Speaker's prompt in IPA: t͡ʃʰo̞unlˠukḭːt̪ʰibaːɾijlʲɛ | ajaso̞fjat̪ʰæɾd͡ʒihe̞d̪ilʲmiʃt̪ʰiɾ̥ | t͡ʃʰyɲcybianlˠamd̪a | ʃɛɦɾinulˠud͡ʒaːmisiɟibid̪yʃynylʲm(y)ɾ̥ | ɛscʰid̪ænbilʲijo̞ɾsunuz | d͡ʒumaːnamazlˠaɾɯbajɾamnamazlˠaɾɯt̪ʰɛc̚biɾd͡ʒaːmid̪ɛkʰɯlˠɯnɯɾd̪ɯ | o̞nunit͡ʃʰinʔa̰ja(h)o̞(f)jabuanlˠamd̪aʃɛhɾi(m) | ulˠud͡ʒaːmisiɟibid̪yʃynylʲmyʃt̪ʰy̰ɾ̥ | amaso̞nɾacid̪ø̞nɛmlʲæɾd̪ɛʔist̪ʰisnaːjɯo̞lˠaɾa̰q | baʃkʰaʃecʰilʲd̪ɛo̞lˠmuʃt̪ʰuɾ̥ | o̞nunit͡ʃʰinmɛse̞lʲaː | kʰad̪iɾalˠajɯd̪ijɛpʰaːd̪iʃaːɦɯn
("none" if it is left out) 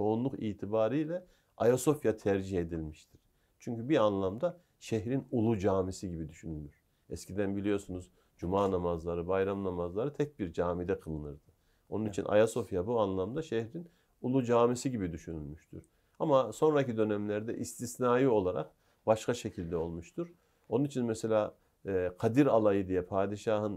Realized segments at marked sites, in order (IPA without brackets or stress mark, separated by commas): y, s, f, n